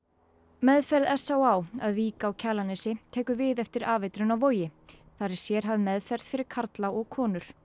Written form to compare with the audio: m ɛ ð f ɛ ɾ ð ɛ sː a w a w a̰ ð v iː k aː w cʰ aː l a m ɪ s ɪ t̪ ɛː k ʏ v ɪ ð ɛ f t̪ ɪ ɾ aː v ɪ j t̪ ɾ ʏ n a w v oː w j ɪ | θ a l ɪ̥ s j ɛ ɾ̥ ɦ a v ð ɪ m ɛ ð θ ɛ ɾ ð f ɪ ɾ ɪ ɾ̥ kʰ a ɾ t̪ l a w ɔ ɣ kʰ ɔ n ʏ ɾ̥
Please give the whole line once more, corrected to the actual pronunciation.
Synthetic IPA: m ɛ ð f ɛ ɾ ð ɛ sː a w a w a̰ ð v iː k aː w cʰ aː l a n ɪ s ɪ t̪ʰ ɛː k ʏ v ɪ ð ɛ f t̪ ɪ ɾ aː v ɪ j t̪ ɾ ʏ n a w v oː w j ɪ | θ a ɾ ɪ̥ s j ɛ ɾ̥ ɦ a v ð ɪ m ɛ ð f ɛ ɾ ð f ɪ ɾ ɪ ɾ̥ kʰ a ɾ t̪ l a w ɔ ɣ kʰ ɔː n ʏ ɾ̥